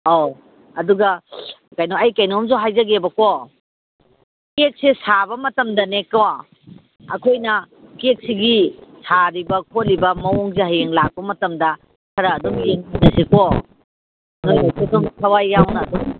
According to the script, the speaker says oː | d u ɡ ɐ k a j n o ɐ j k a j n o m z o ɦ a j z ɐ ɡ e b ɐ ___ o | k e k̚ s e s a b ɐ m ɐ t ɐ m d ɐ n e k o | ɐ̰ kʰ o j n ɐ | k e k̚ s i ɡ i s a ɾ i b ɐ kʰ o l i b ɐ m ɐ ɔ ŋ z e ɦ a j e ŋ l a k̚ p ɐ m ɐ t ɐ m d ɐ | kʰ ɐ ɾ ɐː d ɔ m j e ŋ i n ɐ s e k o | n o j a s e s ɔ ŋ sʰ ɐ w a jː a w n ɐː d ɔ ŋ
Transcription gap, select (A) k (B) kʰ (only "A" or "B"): A